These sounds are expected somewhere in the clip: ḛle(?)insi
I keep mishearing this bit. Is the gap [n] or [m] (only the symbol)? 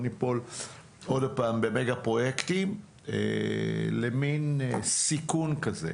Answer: m